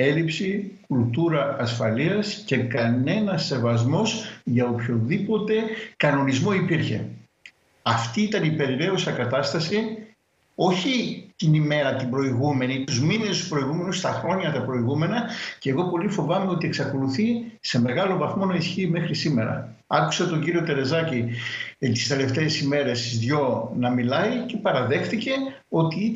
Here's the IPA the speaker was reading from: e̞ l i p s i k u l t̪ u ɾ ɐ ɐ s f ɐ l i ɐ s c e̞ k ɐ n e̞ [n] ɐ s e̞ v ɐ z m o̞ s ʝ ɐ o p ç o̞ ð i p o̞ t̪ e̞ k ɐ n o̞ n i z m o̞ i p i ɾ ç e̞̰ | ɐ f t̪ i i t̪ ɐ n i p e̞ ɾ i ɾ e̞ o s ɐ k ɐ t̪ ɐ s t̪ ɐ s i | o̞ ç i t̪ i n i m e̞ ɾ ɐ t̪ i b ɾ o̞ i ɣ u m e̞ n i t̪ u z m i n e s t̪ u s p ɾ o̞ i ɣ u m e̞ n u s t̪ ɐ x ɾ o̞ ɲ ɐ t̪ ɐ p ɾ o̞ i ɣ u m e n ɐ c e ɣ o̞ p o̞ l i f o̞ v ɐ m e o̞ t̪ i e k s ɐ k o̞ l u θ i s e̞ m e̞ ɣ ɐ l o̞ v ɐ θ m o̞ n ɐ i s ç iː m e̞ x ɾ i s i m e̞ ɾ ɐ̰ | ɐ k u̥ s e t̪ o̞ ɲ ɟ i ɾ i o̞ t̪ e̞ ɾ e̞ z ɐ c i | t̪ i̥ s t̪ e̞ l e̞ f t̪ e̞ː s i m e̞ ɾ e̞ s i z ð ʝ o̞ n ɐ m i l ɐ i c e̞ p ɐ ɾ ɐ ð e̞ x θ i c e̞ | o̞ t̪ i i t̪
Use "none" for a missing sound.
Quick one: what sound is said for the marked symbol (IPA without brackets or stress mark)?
n